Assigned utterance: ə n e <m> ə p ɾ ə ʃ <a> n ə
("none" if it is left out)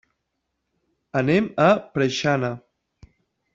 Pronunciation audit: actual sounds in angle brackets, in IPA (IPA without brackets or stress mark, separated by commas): m, a